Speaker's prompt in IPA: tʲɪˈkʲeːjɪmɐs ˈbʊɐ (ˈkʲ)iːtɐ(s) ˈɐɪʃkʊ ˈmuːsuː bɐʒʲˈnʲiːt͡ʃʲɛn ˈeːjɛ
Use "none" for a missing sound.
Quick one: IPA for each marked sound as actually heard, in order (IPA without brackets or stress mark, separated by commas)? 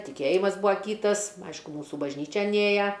kʲ, s